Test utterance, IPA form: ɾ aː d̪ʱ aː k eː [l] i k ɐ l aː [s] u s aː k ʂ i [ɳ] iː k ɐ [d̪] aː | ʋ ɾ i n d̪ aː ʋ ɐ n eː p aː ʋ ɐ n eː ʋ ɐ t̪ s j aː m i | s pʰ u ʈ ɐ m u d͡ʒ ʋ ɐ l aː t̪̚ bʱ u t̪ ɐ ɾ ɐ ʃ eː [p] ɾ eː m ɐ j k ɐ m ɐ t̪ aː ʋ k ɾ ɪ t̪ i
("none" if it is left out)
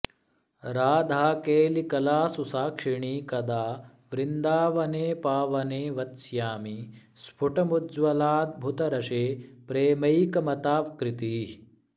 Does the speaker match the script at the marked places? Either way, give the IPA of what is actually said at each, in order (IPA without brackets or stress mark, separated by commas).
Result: l, s, ɳ, d̪, p